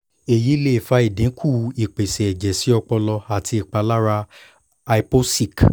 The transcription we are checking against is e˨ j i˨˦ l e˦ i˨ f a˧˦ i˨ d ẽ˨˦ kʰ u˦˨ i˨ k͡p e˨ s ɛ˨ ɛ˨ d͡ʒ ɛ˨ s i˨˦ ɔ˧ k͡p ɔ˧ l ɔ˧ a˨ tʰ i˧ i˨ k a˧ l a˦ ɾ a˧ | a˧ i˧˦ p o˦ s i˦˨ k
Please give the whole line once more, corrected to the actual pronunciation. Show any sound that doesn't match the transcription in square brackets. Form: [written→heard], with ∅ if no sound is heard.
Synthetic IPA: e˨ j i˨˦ l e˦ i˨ f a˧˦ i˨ d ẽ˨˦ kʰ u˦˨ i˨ k͡p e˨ s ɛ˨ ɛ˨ d͡ʒ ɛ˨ s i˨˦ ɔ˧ k͡p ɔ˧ l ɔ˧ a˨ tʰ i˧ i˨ [k→k͡p] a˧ l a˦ ɾ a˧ | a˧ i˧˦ p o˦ s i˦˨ k